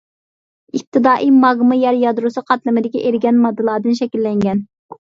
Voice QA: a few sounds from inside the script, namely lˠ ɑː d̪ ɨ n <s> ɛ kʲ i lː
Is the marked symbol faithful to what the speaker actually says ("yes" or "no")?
no